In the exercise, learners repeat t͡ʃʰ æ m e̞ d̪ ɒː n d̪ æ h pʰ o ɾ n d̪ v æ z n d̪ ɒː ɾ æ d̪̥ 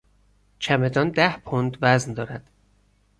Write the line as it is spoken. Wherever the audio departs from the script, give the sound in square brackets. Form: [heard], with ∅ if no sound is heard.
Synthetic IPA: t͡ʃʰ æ m e̞ d̪ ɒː n d̪ æ h pʰ o [∅] n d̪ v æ z n d̪ ɒː ɾ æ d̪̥